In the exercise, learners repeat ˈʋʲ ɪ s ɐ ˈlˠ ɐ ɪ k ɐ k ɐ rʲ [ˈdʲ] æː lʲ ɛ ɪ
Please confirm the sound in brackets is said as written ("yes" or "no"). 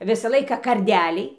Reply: yes